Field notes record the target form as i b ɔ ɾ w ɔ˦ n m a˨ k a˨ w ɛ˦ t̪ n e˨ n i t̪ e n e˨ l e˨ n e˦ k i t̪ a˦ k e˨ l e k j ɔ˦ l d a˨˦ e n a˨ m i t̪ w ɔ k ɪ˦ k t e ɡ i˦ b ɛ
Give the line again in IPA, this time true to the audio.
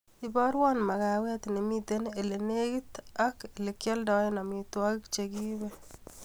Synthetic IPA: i b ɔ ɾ w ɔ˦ n m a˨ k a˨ w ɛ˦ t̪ n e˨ m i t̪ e n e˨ l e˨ n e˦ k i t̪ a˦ k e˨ l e k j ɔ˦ l d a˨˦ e n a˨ m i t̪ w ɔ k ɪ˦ k t͡ʃ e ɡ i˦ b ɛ